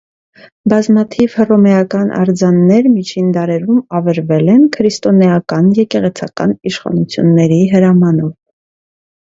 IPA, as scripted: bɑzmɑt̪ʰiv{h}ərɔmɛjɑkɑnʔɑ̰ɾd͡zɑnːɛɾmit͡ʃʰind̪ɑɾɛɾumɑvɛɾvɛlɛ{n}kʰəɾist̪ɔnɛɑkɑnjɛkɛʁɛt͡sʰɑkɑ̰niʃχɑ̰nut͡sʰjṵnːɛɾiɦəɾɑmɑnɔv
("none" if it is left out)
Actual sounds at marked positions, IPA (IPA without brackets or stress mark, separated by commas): h, n